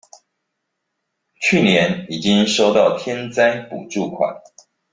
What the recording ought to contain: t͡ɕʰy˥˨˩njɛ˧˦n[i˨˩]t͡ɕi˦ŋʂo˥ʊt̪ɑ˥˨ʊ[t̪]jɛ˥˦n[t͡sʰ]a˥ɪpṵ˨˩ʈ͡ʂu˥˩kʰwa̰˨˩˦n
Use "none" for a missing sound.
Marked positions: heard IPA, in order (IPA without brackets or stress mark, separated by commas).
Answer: i˨˩, t̪ʰ, t͡s